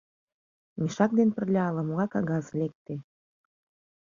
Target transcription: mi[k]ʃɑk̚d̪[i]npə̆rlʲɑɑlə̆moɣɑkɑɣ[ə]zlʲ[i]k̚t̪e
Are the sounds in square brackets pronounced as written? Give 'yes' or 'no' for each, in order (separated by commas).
no, no, no, no